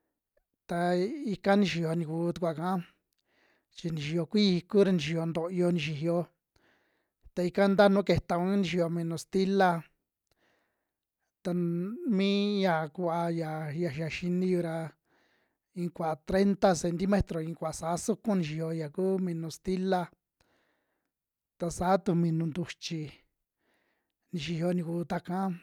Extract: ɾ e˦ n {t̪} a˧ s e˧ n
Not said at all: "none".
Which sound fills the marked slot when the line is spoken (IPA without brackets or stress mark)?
t̪